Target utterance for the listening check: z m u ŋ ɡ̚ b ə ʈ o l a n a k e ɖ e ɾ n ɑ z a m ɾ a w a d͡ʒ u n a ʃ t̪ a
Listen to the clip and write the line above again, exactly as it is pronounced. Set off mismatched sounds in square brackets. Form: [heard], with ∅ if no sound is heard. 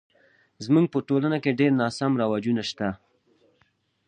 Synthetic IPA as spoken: z m u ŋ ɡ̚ [p] ə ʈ o l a n a k e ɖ e ɾ n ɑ [s] a m ɾ a w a d͡ʒ u n a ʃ t̪ a